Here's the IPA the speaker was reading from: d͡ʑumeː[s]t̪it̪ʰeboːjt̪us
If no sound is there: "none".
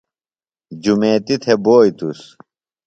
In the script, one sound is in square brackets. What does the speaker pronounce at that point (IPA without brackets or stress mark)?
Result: none